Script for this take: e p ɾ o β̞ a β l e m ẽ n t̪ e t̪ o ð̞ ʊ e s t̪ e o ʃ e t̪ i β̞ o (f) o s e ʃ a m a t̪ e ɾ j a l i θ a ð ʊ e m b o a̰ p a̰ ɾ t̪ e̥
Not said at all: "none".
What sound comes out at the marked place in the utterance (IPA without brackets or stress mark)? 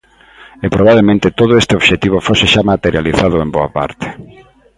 f